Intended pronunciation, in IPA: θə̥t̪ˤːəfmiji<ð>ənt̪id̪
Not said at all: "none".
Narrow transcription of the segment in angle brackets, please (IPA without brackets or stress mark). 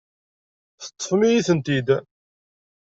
θ